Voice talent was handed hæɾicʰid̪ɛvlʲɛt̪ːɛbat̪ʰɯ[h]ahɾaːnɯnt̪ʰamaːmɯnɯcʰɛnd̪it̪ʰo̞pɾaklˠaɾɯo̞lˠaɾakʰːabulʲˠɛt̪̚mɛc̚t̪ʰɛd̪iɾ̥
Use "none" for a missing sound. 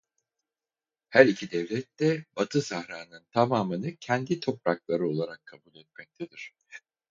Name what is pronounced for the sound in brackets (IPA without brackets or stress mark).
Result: s